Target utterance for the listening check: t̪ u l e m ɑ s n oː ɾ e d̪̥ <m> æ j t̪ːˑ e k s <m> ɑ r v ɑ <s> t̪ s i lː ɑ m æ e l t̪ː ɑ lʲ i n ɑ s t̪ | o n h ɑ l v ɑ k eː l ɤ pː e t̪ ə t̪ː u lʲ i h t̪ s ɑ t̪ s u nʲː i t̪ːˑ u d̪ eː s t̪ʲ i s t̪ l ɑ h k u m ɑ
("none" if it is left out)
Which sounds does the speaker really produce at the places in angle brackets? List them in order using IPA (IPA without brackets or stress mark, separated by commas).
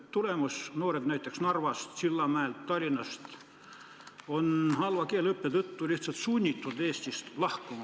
n, n, s